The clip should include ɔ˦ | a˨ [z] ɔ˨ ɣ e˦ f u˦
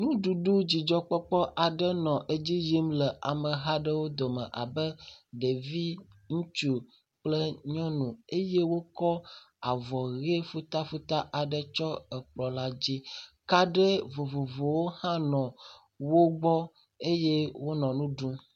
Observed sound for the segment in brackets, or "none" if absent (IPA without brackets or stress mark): v